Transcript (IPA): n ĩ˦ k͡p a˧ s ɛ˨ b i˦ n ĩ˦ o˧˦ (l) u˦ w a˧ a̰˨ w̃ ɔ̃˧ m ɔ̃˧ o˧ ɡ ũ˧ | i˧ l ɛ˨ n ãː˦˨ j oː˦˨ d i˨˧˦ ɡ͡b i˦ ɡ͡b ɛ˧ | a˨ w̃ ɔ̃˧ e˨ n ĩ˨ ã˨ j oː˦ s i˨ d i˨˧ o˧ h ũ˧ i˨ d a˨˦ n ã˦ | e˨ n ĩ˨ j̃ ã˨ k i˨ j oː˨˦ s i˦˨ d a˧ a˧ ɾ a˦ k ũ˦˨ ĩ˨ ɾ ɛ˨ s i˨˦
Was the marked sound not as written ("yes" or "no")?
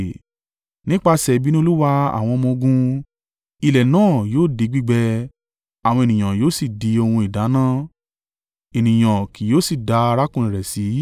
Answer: no